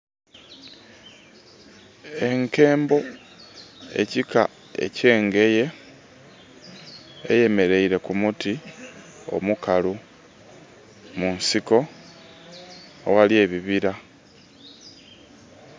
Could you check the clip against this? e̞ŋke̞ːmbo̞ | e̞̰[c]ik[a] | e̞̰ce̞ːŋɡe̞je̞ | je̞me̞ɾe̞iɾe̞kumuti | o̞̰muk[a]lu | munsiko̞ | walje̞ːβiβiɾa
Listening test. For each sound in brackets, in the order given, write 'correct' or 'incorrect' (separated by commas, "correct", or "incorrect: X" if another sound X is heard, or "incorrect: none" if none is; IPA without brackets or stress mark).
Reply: correct, correct, correct